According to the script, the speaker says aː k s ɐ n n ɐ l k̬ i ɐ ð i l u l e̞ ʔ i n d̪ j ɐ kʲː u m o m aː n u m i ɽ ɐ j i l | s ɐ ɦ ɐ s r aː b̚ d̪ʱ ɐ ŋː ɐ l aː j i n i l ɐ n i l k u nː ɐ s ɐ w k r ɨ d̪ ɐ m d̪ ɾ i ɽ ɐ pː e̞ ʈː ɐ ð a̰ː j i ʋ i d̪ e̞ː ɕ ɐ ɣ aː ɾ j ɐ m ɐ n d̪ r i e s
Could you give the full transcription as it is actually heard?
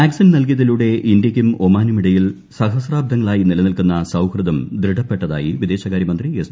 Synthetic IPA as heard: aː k s ɐ n n ɐ l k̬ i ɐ ð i l u ɽ e̞ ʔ i n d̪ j ɐ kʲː u m o m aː n u m i ɽ ɐ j i l | s ɐ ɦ ɐ s r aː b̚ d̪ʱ ɐ ŋː ɐ ɭ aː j i n i l ɐ n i l k u nː ɐ s ɐ w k r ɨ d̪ ɐ m d̪ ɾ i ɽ ɐ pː e̞ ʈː ɐ ð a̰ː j i ʋ i d̪ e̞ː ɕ ɐ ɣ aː ɾ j ɐ m ɐ n d̪ r i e s